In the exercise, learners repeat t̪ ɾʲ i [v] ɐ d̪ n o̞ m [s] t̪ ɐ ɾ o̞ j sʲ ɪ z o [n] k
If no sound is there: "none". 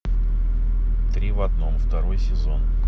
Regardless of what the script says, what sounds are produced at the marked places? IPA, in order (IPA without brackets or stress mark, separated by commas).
v, f, n